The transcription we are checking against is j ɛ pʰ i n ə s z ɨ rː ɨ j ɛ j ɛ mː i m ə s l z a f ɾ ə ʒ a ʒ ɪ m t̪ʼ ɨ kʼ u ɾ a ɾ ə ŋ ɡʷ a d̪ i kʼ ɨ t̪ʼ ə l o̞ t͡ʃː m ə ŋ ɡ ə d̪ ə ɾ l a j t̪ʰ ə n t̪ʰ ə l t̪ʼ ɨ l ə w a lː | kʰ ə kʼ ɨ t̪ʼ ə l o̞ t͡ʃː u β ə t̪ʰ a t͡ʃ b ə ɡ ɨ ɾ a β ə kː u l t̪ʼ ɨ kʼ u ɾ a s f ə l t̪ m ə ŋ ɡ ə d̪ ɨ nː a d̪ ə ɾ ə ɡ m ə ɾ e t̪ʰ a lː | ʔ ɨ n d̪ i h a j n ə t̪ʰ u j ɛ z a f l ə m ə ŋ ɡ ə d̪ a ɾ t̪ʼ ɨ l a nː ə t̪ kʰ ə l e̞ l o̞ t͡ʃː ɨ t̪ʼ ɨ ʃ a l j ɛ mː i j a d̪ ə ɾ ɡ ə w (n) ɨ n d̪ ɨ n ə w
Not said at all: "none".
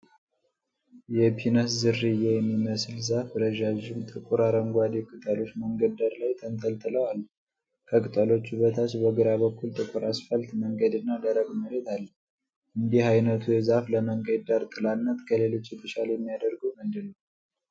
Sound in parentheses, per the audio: m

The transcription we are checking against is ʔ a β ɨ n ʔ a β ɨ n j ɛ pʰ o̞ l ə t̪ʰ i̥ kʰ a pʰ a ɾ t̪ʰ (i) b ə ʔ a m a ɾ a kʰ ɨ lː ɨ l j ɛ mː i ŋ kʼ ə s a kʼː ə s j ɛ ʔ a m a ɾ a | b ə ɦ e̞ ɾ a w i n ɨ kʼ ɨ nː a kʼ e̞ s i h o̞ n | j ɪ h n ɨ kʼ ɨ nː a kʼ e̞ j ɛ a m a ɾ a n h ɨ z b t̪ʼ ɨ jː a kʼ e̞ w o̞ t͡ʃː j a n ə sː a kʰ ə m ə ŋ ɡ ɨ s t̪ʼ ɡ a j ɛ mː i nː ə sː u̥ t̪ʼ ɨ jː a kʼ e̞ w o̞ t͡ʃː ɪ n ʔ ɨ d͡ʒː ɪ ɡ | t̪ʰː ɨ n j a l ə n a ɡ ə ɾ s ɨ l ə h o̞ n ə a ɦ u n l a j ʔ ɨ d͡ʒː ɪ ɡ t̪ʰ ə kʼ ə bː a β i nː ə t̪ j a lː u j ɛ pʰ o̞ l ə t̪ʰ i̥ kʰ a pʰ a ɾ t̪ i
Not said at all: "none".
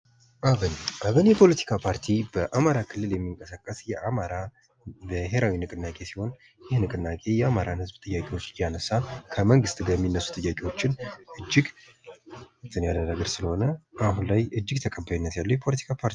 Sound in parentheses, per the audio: i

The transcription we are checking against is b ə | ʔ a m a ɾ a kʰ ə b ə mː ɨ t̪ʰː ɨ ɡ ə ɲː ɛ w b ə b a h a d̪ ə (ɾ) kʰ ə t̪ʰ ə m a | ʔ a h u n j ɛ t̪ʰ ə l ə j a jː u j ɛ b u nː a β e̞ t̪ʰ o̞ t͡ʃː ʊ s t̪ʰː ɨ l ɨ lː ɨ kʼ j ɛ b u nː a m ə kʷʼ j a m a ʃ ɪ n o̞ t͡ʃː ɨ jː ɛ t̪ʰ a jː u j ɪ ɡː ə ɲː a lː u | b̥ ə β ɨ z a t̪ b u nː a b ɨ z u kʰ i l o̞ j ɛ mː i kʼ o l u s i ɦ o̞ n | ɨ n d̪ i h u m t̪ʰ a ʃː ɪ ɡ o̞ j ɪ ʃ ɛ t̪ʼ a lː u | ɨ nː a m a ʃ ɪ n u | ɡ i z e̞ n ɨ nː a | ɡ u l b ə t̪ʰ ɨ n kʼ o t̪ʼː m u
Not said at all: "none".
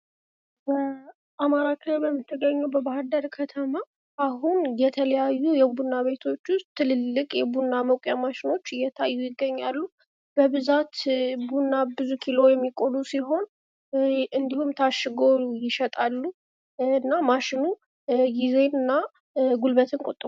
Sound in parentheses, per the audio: ɾ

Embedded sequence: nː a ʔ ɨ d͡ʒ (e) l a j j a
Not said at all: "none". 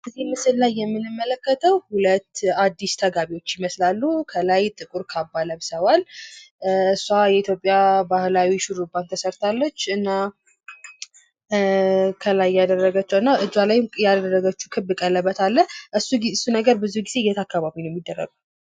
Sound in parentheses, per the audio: a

